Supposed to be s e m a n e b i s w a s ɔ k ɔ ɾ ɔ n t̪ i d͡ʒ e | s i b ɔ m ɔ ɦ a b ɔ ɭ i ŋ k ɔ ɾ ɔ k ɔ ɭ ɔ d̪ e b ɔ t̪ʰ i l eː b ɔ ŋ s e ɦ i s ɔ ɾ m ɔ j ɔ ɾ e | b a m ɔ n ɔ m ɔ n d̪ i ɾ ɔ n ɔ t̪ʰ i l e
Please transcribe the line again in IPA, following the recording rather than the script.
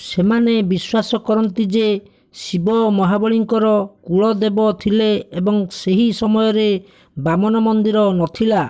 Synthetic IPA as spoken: s e m a n e b i s w a s ɔ k ɔ ɾ ɔ n t̪ i d͡ʒ e | s i b ɔ m ɔ ɦ a b ɔ ɭ i ŋ k ɔ ɾ ɔ k u ɭ ɔ d̪ e b ɔ t̪ʰ i l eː b ɔ ŋ s e ɦ i s ɔ m ɔ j ɔ ɾ e | b a m ɔ n ɔ m ɔ n d̪ i ɾ ɔ n ɔ t̪ʰ i l a